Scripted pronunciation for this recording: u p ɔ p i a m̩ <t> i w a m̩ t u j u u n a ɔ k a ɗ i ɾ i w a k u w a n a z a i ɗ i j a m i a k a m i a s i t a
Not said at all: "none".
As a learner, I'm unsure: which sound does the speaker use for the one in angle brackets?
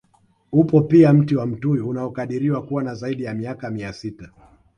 t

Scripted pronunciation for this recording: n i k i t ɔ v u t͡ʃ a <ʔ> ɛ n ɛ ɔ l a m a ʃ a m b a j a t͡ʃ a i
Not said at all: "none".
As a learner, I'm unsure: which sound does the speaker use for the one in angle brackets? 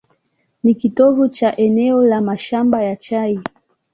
ʔ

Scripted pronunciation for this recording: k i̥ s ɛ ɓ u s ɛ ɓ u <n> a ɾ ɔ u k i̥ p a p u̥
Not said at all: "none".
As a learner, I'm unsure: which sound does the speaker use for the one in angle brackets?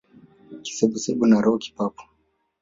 n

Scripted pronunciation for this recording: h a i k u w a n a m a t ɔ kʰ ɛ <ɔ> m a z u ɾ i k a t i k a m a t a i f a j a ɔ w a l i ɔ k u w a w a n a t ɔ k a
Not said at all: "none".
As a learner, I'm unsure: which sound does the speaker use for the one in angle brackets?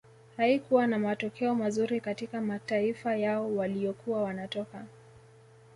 ɔ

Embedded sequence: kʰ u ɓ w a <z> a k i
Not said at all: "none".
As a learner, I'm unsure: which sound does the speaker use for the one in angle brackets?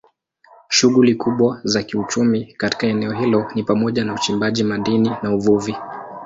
z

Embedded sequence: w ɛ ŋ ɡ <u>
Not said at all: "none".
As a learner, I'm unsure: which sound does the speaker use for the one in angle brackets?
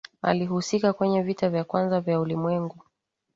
u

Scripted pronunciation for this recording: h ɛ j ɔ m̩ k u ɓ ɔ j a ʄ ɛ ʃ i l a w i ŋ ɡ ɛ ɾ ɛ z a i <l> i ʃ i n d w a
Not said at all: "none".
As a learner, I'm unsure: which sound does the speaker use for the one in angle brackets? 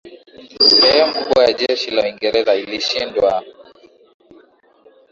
l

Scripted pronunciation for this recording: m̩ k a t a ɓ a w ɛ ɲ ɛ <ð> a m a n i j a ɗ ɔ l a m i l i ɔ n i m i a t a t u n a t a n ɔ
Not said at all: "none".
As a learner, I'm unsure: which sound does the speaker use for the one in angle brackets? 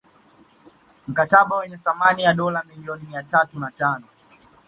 θ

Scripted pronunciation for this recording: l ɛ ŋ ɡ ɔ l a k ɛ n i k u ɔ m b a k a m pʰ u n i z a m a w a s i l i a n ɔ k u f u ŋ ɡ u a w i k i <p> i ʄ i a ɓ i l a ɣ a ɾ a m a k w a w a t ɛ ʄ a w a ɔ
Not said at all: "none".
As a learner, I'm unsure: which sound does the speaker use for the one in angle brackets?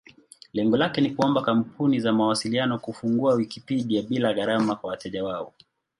p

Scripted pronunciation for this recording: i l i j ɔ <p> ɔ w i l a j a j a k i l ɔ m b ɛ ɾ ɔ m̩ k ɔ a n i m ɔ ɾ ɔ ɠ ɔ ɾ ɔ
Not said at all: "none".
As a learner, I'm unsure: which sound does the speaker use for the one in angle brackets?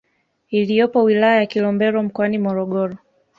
p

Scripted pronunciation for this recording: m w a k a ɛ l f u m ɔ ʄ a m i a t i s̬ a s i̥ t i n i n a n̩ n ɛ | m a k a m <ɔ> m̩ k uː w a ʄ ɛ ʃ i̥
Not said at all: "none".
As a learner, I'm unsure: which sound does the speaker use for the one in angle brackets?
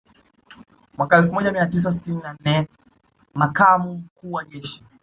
u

